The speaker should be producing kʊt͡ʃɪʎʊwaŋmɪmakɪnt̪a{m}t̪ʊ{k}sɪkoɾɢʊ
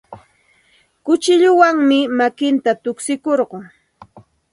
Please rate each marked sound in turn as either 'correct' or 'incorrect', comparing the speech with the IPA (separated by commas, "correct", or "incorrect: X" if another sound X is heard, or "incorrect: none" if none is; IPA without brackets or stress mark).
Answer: incorrect: none, correct